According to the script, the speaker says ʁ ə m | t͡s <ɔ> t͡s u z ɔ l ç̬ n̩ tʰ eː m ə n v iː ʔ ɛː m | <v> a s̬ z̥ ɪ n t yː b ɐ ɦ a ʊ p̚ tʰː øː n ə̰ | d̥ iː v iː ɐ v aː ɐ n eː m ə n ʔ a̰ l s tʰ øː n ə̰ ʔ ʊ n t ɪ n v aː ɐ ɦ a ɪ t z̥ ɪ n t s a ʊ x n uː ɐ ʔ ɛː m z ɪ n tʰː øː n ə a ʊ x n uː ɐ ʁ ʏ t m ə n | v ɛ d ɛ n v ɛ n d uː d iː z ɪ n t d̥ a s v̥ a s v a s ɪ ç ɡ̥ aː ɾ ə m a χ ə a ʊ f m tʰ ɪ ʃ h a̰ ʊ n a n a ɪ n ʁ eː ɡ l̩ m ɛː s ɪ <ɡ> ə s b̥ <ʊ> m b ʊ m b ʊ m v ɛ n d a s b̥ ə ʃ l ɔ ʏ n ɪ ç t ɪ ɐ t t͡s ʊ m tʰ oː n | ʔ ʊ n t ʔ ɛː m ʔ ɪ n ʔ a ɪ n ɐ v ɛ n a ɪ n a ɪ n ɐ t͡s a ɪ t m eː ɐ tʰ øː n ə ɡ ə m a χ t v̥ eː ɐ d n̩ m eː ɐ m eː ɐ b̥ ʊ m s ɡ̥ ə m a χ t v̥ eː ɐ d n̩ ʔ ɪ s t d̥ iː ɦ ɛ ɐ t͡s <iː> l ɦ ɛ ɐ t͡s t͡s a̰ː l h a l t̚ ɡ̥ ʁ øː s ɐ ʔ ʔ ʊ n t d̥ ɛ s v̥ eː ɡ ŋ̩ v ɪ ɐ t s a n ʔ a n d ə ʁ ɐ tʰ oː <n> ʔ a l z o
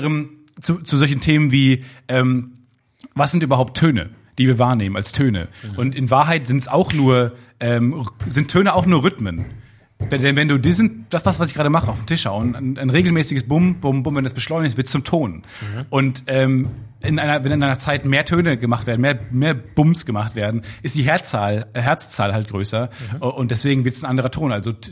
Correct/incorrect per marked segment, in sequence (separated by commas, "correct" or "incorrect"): incorrect, correct, correct, correct, incorrect, correct